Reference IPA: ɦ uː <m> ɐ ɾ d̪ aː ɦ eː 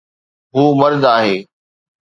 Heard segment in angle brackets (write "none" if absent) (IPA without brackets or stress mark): m